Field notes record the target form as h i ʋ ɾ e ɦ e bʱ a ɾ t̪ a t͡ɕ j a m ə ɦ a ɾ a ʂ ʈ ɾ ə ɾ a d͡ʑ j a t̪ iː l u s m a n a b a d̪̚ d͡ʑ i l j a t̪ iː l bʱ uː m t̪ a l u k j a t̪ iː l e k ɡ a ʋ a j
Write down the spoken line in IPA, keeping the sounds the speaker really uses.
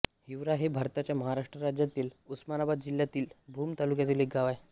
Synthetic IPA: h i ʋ ɾ a ɦ e bʱ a ɾ t̪ a t͡ɕ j a m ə ɦ a ɾ a ʂ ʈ ɾ ə ɾ a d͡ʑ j a t̪ iː l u s m a n a b a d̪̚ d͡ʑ i l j a t̪ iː l bʱ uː m t̪ a l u k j a t̪ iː l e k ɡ a ʋ a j